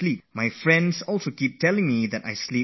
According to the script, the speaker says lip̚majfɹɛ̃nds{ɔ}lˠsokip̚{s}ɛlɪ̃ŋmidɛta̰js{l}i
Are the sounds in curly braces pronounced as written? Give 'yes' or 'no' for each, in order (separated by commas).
yes, no, yes